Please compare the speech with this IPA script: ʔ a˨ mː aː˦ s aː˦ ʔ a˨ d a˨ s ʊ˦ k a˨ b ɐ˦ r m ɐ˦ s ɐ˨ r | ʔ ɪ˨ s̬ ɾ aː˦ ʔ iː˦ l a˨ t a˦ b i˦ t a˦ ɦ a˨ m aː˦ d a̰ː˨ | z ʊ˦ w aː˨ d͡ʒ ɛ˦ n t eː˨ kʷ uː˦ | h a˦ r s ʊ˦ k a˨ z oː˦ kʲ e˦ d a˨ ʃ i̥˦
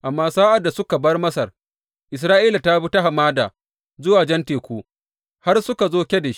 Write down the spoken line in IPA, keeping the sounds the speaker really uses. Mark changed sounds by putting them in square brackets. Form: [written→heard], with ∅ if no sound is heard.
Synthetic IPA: ʔ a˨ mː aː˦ s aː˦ ʔ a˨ d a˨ s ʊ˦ k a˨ b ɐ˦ r m ɐ˦ s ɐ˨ r | ʔ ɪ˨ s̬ ɾ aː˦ ʔ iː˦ l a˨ t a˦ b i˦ t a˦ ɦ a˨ m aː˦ d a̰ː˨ | z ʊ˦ w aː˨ d͡ʒ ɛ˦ n t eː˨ kʷ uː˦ | h a˦ r s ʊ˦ k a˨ z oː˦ kʲ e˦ d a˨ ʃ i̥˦